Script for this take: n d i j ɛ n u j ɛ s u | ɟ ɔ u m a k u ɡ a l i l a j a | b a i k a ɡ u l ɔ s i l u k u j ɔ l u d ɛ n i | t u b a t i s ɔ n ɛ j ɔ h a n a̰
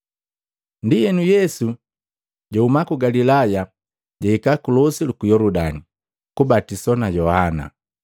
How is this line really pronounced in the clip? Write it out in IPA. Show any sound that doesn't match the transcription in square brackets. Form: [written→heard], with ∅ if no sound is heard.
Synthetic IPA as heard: n d i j ɛ n u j ɛ s u | ɟ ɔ u m a k u ɡ a l i l a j a | [b→ɟ] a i k a [ɡ→k] u l ɔ s i l u k u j ɔ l u d [ɛ→a] n i | [t→k] u b a t i s ɔ n [ɛ→a] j ɔ h a n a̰